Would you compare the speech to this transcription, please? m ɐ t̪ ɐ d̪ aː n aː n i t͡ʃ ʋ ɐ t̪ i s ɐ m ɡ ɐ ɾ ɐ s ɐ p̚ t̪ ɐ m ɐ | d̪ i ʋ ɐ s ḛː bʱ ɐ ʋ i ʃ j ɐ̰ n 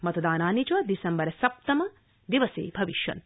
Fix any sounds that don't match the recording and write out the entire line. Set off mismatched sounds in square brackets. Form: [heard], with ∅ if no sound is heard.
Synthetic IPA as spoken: m ɐ t̪ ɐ d̪ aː n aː n i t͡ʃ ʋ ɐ [d̪] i s ɐ m [b] ɐ ɾ ɐ s ɐ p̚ t̪ ɐ m ɐ | d̪ i ʋ ɐ s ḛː bʱ ɐ ʋ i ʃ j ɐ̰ n